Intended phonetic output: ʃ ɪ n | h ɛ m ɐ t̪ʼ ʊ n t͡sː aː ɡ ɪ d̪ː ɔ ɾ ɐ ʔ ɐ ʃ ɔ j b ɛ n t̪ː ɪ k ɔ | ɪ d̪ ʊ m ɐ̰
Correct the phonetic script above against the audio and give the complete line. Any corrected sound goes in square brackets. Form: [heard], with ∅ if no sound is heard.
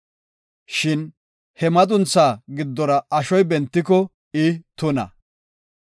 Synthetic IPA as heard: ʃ ɪ n | h ɛ m ɐ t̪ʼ ʊ n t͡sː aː ɡ ɪ d̪ː ɔ ɾ ɐ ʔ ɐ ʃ ɔ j b ɛ n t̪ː ɪ k ɔ | ɪ [t̪] ʊ [n] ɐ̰